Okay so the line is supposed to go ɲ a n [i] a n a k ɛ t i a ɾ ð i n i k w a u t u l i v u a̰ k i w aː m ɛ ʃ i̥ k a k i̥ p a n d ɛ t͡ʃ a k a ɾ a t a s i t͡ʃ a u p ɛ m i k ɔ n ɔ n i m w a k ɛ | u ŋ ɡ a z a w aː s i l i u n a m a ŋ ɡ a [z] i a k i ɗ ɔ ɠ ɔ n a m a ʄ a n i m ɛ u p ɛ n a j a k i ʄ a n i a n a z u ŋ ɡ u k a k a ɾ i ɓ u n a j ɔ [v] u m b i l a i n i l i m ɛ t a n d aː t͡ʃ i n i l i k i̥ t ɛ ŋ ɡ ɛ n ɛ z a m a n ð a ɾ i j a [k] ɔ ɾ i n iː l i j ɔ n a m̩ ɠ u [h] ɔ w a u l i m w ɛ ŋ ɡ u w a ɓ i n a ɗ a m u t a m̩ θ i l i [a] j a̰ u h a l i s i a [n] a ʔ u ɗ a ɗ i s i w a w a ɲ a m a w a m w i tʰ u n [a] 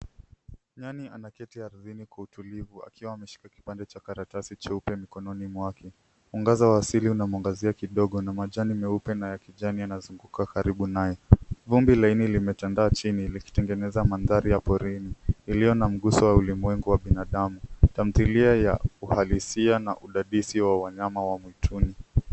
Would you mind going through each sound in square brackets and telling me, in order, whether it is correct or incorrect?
correct, correct, correct, incorrect, incorrect, correct, correct, incorrect

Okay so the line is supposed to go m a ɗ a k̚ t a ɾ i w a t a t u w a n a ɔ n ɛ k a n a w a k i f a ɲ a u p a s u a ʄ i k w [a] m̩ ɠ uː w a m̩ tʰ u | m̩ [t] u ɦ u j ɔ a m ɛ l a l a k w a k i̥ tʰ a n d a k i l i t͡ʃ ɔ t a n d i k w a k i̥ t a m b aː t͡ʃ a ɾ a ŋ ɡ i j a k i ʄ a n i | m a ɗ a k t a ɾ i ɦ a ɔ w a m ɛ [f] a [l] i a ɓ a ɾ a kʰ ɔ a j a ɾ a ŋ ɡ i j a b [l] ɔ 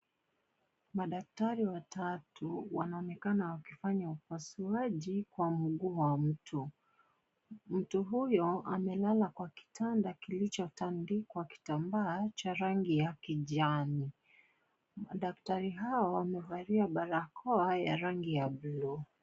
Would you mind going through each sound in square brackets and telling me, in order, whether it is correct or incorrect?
correct, correct, incorrect, incorrect, correct

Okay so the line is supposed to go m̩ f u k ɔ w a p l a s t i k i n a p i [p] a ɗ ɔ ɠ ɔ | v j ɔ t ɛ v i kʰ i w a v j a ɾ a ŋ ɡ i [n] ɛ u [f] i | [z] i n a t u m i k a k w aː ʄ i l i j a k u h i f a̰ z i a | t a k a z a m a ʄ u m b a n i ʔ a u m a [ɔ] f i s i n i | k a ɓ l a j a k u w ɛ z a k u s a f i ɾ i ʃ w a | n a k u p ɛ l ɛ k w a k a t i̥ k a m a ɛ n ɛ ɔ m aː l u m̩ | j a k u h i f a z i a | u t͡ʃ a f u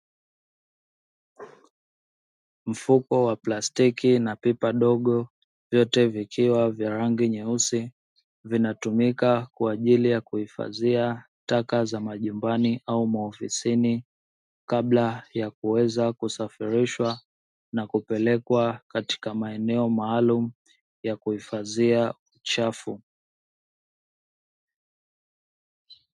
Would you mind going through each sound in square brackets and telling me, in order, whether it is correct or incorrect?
correct, incorrect, incorrect, incorrect, correct

